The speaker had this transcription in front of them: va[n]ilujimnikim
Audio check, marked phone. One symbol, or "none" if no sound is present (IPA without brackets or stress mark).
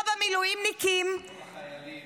m